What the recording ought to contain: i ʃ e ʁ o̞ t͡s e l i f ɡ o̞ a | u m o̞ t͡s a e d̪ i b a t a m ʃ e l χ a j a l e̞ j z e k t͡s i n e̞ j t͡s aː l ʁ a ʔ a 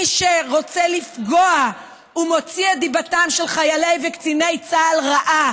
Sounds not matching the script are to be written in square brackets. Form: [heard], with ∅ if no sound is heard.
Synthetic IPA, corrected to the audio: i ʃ e ʁ o̞ t͡s e l i f ɡ o̞ a | u m o̞ t͡s [i] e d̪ i b a t a m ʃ e l χ a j a l e̞ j [v] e k t͡s i n e̞ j t͡s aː l ʁ a ʔ a